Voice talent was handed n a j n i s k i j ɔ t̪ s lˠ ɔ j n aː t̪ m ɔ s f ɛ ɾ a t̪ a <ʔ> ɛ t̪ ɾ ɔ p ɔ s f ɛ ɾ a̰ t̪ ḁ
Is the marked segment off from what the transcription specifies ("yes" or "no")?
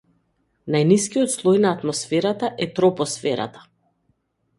no